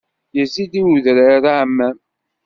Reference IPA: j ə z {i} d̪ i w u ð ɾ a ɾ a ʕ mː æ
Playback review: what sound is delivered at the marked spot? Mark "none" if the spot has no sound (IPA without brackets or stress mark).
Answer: i